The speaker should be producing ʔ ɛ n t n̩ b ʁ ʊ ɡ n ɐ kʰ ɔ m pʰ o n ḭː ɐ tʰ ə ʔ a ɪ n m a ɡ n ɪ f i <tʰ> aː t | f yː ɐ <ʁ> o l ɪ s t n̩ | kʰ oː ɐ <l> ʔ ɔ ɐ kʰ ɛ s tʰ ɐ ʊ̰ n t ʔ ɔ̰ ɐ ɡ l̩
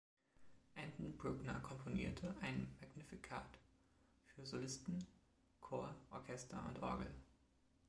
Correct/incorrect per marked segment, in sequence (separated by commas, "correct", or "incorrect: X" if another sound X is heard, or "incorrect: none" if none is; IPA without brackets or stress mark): incorrect: kʰ, incorrect: z, incorrect: none